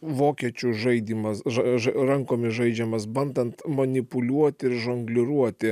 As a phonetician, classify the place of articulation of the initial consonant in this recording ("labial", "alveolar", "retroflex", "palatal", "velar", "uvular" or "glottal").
labial